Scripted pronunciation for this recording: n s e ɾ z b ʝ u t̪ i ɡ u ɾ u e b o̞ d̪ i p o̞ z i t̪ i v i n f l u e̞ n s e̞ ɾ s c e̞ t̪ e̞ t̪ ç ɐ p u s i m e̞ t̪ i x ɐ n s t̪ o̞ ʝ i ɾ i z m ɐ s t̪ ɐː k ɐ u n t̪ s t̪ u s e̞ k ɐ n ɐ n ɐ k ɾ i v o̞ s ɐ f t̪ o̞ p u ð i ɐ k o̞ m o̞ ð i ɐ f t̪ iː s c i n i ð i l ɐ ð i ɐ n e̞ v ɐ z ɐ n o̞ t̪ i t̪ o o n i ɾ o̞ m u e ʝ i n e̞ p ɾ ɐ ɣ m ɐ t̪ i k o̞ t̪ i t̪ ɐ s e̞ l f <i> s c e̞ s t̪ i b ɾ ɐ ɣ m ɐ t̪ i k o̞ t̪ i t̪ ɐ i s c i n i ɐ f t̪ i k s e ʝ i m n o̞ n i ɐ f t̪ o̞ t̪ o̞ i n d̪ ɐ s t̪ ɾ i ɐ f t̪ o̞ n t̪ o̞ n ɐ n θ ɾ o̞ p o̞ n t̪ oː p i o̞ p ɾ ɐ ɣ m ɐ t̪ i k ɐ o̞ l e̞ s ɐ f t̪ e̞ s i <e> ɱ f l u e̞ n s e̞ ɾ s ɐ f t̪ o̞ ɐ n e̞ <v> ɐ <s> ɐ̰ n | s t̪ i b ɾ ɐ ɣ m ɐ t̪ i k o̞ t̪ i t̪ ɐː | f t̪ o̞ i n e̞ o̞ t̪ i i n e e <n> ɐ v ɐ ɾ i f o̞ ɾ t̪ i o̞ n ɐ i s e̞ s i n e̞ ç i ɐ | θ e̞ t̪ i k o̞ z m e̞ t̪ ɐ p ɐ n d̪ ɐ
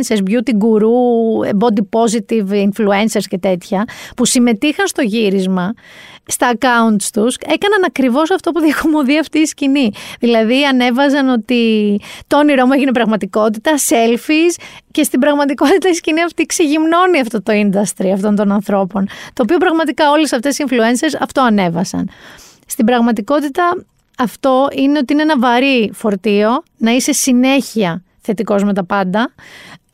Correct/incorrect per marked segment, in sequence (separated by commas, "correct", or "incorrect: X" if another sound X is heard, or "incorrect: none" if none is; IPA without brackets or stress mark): correct, incorrect: i, correct, correct, correct